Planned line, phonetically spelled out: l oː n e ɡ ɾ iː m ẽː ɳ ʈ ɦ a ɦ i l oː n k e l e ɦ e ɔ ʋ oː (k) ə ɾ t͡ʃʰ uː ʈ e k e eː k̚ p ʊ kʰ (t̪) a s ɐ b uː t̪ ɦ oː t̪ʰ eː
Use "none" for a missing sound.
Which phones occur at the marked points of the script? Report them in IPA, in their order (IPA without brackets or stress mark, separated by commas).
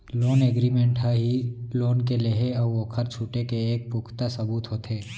kʰ, t̪